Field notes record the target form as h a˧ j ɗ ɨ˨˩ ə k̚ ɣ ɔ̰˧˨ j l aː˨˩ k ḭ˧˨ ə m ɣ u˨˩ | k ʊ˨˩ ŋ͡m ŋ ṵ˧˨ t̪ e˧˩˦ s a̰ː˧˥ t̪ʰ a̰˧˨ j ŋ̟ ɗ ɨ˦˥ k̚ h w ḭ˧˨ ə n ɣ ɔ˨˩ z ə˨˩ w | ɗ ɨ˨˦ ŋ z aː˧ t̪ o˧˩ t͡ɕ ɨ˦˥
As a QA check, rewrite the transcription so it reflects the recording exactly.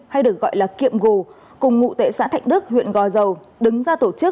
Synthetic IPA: h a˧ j ɗ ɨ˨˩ ə k̚ ɣ ɔ̰˧˨ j l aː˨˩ k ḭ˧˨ ə m ɣ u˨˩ | k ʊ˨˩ ŋ͡m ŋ ṵ˧˨ t̪ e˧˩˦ s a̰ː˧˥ t̪ʰ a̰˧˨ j ŋ̟ ɗ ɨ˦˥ k̚ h w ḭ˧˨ ə n ɣ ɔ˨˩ z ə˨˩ w | ɗ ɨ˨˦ ŋ z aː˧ t̪ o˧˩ t͡ɕ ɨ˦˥